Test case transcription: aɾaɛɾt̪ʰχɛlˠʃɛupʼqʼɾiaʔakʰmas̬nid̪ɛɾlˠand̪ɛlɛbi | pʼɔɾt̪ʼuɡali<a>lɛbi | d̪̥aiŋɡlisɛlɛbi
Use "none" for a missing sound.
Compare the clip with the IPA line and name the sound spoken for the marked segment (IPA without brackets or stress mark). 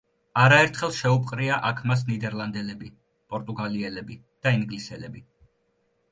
ɛ